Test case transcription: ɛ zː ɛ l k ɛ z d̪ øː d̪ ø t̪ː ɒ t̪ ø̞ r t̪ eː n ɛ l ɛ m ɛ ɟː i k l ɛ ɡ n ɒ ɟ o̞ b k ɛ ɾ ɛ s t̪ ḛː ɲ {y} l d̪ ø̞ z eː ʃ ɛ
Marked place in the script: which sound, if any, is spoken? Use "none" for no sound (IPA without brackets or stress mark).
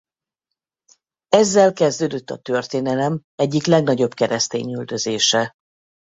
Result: y